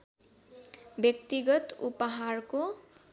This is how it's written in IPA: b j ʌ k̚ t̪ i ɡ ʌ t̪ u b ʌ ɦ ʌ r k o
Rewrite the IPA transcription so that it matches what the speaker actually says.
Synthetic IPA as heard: b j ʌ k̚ t̪ i ɡ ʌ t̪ u p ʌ ɦ a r k o